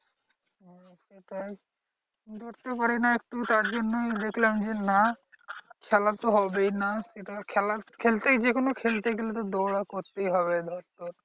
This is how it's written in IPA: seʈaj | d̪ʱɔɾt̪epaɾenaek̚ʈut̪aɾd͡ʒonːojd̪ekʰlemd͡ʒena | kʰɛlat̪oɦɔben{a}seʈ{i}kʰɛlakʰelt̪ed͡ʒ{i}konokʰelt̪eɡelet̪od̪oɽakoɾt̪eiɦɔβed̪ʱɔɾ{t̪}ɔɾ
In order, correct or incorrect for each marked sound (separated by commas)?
correct, incorrect, incorrect, correct